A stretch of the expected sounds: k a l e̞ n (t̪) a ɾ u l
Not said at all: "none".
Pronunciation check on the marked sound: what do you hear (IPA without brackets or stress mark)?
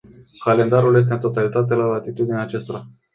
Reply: d̪